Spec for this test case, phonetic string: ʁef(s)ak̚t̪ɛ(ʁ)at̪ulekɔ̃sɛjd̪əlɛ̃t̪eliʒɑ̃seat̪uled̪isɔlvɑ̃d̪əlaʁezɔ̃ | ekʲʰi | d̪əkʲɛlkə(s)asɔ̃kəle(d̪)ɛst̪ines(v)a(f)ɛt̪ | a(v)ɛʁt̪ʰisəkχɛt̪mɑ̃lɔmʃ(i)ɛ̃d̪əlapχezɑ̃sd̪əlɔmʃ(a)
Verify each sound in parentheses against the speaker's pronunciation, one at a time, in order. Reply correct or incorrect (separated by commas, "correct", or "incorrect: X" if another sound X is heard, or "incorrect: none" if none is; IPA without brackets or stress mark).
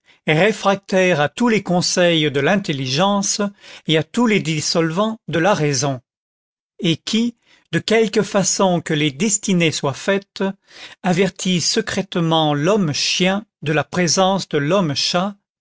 incorrect: χ, correct, incorrect: f, correct, incorrect: w, correct, correct, incorrect: j, correct